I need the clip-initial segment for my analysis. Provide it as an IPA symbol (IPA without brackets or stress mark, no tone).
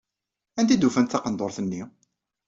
æ